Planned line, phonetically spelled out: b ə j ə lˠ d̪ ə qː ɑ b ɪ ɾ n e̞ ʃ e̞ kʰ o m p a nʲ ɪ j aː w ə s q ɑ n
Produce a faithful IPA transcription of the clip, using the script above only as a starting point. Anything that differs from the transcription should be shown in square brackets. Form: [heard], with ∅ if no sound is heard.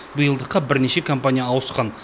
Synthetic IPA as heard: b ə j ə lˠ d̪ ə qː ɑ b ɪ ɾ n e̞ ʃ e̞ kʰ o m p a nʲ [i] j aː w ə s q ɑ n